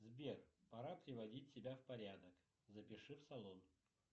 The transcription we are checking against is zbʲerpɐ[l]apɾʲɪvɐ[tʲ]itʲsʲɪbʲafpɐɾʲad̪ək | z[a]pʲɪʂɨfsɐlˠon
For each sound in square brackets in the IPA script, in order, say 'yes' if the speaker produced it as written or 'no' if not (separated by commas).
no, no, no